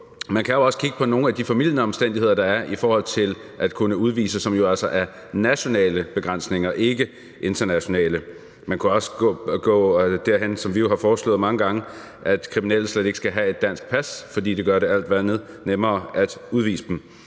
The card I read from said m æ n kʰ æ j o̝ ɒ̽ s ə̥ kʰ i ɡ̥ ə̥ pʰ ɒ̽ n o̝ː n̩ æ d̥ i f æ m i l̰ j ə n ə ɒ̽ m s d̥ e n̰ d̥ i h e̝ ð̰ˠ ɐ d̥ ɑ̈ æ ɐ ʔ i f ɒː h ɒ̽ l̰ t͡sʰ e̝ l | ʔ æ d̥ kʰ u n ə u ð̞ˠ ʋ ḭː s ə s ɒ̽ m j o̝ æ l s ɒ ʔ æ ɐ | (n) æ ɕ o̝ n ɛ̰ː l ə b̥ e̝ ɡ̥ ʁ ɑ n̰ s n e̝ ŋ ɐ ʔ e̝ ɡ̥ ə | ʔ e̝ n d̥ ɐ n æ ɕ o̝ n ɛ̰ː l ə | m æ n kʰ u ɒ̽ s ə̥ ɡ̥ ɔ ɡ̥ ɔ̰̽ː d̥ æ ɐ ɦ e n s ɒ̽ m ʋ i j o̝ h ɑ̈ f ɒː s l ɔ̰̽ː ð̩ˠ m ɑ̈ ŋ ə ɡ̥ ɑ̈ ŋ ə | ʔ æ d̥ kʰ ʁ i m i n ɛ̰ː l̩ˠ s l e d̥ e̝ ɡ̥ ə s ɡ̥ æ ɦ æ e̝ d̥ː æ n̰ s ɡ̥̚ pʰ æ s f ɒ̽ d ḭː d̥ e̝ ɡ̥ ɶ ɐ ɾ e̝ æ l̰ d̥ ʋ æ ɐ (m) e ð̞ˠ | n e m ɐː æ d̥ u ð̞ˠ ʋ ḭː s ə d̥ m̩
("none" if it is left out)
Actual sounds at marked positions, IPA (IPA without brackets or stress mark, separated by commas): n, n